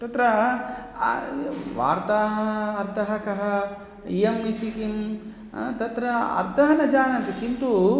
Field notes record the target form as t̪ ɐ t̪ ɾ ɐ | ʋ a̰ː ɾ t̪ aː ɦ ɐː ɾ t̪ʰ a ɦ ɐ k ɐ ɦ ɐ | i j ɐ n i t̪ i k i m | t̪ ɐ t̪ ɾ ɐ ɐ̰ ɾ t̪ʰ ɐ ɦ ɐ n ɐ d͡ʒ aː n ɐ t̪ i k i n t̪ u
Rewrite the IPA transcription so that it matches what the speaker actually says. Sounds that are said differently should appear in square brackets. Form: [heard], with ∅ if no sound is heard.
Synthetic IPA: t̪ ɐ t̪ ɾ ɐ | ʋ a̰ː ɾ t̪ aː ɦ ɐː ɾ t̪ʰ [ɐ] ɦ ɐ k ɐ ɦ ɐ | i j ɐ [m] i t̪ i k i m | t̪ ɐ t̪ ɾ ɐ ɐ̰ ɾ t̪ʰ ɐ ɦ ɐ n ɐ d͡ʒ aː n ɐ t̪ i k i n t̪ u

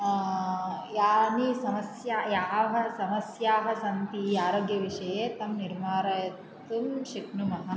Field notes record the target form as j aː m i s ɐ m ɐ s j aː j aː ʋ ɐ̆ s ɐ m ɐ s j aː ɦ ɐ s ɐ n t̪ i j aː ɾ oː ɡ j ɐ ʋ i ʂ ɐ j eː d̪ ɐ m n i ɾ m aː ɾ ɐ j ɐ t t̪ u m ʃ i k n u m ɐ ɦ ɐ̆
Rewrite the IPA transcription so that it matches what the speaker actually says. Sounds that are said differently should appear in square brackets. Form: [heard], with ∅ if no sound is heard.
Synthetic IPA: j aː [n] i s ɐ m ɐ s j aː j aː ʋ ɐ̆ s ɐ m ɐ s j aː ɦ ɐ s ɐ n t̪ i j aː ɾ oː ɡ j ɐ ʋ i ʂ ɐ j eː [t̪] ɐ m n i ɾ m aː ɾ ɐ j ɐ t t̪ u m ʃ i k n u m ɐ ɦ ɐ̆

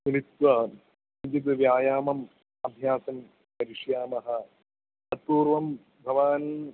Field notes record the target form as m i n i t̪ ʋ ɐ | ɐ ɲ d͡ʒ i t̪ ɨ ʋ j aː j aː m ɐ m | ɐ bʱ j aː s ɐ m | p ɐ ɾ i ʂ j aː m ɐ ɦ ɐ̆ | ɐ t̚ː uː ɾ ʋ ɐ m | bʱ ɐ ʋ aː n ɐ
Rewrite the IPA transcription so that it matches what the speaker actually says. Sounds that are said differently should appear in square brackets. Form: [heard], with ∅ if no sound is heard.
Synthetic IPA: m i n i t̪ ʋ ɐ | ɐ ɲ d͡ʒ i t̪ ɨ ʋ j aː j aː m ɐ m | ɐ bʱ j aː s ɐ m | p ɐ ɾ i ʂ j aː m ɐ ɦ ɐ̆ | ɐ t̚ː uː ɾ ʋ ɐ m | bʱ ɐ ʋ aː n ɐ

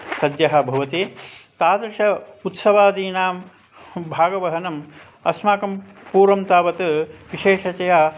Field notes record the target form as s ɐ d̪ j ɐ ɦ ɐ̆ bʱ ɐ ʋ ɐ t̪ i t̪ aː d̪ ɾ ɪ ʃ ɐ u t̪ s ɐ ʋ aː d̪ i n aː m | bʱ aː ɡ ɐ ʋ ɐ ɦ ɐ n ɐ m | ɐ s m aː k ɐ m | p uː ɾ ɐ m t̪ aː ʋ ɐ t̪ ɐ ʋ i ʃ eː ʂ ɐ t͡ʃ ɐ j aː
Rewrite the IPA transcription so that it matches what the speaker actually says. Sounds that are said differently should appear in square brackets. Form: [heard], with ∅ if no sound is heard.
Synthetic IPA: s ɐ d̪ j ɐ ɦ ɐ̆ bʱ ɐ ʋ ɐ t̪ i t̪ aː d̪ ɾ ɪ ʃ ɐ u t̪ s ɐ ʋ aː d̪ [iː] n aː m | bʱ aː ɡ ɐ ʋ ɐ ɦ ɐ n ɐ m | ɐ s m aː k ɐ m | p uː ɾ ɐ m t̪ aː ʋ ɐ t̪ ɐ ʋ i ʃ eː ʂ ɐ t͡ʃ ɐ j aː

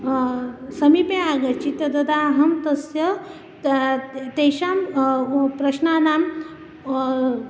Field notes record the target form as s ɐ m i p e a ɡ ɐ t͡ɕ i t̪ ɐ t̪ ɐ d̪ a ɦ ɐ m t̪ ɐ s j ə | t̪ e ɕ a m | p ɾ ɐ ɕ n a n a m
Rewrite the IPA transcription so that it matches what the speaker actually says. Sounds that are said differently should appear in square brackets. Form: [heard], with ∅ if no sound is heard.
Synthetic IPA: s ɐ m i p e a ɡ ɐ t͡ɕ i t̪ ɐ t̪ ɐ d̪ a ɦ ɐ m t̪ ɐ s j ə | t̪ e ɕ a m | p ɾ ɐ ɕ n a n a m

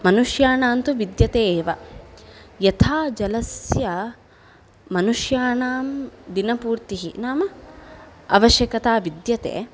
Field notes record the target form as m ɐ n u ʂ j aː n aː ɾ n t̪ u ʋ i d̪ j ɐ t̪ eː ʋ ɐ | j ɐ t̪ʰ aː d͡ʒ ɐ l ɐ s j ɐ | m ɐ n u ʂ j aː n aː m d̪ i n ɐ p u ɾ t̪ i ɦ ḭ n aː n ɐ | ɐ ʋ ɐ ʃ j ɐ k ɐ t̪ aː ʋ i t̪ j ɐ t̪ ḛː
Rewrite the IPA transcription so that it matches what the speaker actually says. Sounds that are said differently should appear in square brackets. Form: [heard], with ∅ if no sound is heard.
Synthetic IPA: m ɐ n u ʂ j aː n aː [∅] n t̪ u ʋ i d̪ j ɐ t̪ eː ʋ ɐ | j ɐ t̪ʰ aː d͡ʒ ɐ l ɐ s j ɐ | m ɐ n u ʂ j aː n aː m d̪ i n ɐ p [uː] ɾ t̪ i ɦ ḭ n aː [m] ɐ | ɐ ʋ ɐ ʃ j ɐ k ɐ t̪ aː ʋ i [d̪] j ɐ t̪ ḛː

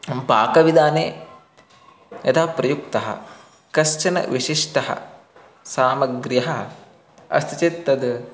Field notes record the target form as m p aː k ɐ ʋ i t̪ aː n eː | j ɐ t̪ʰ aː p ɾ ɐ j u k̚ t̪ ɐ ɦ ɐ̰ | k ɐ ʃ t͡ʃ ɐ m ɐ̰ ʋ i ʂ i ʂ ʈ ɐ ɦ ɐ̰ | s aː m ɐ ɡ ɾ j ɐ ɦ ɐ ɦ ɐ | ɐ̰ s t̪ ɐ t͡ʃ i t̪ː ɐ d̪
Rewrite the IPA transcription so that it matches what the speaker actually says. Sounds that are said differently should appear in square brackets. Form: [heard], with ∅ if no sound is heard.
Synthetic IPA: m p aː k ɐ ʋ i [d̪] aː n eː | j ɐ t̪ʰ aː p ɾ ɐ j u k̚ t̪ ɐ ɦ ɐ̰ | k ɐ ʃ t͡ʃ ɐ [n] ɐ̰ ʋ i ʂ i ʂ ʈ ɐ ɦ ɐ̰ | s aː m ɐ ɡ ɾ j ɐ ɦ ɐ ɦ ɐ | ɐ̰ s t̪ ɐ t͡ʃ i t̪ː ɐ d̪

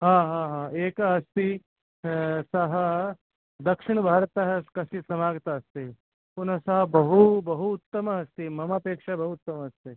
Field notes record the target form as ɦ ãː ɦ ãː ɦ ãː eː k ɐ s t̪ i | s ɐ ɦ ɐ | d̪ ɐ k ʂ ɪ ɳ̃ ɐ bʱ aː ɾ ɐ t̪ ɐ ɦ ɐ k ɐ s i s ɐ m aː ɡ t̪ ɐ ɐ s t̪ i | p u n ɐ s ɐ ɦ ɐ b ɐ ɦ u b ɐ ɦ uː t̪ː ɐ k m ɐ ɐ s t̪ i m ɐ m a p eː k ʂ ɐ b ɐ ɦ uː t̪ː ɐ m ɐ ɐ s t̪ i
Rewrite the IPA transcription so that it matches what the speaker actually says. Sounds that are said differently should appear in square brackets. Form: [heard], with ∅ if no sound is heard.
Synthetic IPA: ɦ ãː ɦ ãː ɦ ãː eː k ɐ s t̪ i | s ɐ ɦ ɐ | d̪ ɐ k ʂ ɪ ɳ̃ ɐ bʱ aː ɾ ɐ t̪ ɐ ɦ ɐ k ɐ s i s ɐ m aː ɡ t̪ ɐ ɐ s t̪ i | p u n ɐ s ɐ ɦ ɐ b ɐ ɦ u b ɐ ɦ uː t̪ː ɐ [∅] m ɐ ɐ s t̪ i m ɐ m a p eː k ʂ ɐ b ɐ ɦ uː t̪ː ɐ m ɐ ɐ s t̪ i

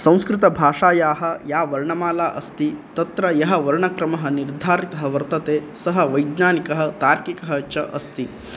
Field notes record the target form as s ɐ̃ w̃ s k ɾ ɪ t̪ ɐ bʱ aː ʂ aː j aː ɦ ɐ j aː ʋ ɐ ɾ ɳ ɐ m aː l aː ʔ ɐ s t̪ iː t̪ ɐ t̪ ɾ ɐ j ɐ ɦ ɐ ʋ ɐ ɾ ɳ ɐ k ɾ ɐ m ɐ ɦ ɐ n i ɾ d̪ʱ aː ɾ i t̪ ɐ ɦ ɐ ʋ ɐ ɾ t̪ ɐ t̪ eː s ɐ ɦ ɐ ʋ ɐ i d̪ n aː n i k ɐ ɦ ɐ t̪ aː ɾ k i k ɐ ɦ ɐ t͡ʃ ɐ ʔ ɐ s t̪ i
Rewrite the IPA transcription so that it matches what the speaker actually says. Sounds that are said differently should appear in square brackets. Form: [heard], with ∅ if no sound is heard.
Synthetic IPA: s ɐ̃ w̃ s k ɾ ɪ t̪ ɐ bʱ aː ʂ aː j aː ɦ ɐ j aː ʋ ɐ ɾ ɳ ɐ m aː l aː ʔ ɐ s t̪ [i] t̪ ɐ t̪ ɾ ɐ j ɐ ɦ ɐ ʋ ɐ ɾ ɳ ɐ k ɾ ɐ m ɐ ɦ ɐ n i ɾ d̪ʱ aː ɾ i t̪ ɐ ɦ ɐ ʋ ɐ ɾ t̪ ɐ t̪ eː s ɐ ɦ ɐ ʋ ɐ [j] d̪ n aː n i k ɐ ɦ ɐ t̪ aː ɾ k i k ɐ ɦ ɐ t͡ʃ ɐ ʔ ɐ s t̪ i

